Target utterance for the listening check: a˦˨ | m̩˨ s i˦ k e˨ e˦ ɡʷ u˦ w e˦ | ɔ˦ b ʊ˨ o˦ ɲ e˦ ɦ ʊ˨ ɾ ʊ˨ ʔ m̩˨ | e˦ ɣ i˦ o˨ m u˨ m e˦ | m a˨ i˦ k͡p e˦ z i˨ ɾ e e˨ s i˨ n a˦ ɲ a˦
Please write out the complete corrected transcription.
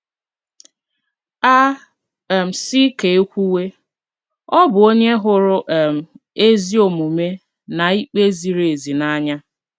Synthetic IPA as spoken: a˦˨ | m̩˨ s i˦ k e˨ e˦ kʷ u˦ w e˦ | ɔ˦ b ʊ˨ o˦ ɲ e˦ ɦ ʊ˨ ɾ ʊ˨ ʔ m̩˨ | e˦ z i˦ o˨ m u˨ m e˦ | n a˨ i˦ k͡p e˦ z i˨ ɾ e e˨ z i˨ n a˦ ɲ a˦

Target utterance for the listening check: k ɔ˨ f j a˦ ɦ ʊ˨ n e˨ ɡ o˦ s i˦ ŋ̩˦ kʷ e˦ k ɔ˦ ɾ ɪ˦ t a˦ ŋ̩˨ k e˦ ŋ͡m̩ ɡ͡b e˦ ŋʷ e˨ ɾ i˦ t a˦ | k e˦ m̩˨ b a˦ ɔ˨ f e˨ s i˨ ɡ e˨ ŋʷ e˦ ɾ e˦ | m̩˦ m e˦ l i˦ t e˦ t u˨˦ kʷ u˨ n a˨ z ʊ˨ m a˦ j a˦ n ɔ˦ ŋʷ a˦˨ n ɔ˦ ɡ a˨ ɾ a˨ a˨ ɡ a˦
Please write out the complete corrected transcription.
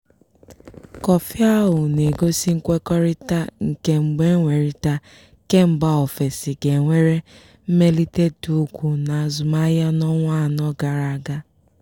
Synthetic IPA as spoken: k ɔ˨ f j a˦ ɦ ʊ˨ n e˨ ɡ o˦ s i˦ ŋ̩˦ kʷ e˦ k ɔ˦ ɾ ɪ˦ t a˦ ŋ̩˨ k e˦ ŋ͡m̩ ɡ͡b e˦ ŋʷ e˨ ɾ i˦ t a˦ | k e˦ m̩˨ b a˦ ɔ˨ f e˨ s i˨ ɡ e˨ ŋʷ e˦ ɾ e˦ | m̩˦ m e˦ l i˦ t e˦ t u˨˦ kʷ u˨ n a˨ z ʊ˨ m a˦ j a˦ n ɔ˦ ŋʷ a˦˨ n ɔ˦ ɡ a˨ ɾ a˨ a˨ ɡ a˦

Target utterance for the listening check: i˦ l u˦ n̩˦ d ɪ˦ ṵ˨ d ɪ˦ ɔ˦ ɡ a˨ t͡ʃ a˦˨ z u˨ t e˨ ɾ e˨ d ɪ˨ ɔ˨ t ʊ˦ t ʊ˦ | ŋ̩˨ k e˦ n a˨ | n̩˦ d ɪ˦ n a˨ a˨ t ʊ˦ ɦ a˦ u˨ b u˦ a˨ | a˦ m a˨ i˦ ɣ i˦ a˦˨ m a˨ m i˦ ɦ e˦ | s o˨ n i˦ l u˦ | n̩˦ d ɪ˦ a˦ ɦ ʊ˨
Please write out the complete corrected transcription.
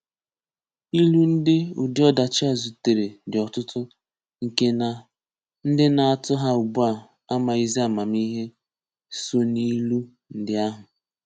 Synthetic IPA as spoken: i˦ l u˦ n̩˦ d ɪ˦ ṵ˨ d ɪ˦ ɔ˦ d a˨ t͡ʃ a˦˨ z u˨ t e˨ ɾ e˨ d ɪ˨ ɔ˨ t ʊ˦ t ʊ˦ | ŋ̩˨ k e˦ n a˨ | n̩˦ d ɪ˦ n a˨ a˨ t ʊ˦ ɦ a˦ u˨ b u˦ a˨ | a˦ m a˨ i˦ z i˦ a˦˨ m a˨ m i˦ ɦ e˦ | s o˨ n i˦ l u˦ | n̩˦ d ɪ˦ a˦ ɦ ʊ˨

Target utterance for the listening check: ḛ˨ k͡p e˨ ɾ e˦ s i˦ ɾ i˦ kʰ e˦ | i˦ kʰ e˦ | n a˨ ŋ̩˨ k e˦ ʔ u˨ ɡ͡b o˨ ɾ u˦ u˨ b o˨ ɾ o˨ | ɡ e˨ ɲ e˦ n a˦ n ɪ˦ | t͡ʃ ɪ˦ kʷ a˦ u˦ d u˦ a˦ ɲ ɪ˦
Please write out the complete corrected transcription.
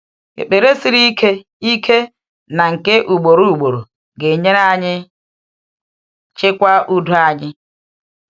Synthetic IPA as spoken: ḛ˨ k͡p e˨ ɾ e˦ s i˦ ɾ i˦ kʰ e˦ | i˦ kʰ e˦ | n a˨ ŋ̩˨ k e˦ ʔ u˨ ɡ͡b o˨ ɾ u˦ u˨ ɡ͡b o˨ ɾ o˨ | ɡ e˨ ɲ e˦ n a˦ ɲ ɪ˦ | t͡ʃ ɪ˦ kʷ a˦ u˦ d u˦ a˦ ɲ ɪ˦

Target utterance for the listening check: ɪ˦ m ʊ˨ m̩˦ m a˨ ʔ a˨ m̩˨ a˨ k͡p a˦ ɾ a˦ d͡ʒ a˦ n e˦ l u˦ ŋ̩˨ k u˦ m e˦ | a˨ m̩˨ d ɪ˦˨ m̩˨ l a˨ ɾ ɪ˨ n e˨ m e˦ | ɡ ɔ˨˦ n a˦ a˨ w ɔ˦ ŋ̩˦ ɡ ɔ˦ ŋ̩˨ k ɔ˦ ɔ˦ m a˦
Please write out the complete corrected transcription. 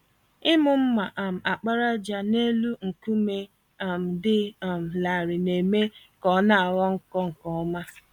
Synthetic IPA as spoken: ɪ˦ m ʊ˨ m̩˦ m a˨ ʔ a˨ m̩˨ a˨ k͡p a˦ ɾ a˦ d͡ʒ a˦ n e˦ l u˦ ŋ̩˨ k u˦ m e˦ | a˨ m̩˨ d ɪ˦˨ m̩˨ l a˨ ɾ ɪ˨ n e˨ m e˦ | k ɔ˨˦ n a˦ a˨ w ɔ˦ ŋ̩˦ k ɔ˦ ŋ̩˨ k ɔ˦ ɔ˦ m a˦

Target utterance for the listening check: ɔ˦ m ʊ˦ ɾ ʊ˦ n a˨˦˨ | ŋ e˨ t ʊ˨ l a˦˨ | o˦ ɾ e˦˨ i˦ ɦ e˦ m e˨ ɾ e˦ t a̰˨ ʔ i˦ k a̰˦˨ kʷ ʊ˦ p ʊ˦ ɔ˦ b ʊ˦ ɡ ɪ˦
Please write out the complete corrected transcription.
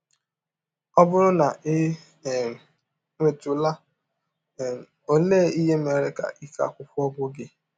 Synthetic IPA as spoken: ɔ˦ b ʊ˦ ɾ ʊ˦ n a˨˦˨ | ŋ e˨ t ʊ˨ l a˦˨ | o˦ l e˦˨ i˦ ɦ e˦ m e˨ ɾ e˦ k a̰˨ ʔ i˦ k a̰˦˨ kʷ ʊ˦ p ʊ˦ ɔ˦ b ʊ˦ ɡ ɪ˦

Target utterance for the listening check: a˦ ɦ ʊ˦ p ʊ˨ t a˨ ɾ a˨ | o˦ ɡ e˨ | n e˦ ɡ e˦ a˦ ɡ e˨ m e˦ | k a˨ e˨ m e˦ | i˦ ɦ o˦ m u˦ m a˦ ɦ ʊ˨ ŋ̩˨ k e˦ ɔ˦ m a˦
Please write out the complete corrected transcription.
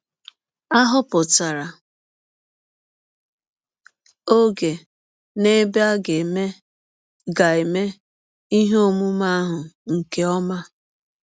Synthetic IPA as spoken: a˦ ɦ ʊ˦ p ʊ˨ t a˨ ɾ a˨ | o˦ ɡ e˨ | n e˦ b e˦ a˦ ɡ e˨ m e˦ | ɡ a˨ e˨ m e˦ | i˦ ɦ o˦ m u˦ m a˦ ɦ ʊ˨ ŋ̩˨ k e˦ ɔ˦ m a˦

